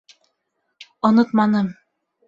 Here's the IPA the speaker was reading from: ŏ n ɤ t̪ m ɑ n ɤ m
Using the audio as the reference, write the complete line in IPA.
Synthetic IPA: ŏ n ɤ t̪ m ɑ n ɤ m